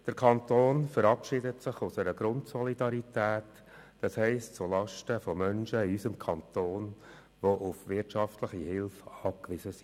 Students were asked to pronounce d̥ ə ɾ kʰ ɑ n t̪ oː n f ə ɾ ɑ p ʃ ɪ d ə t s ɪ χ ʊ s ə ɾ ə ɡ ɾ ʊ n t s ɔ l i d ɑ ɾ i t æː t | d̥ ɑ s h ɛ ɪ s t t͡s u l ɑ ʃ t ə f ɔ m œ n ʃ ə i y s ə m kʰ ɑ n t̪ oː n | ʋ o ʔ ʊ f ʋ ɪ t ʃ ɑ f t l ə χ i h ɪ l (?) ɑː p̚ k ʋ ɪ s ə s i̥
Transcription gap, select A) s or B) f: B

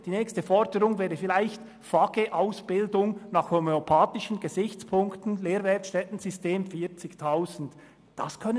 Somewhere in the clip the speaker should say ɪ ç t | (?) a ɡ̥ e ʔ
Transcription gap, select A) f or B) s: A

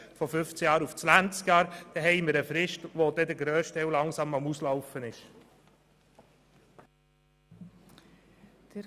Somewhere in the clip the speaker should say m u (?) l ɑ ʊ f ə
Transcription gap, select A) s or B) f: A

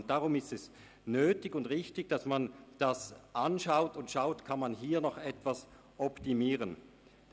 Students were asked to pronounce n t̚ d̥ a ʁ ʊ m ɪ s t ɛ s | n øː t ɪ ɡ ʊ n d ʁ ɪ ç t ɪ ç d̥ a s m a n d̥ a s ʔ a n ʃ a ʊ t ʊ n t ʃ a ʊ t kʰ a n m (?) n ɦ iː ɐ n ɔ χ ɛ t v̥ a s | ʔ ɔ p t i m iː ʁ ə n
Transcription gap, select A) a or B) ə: A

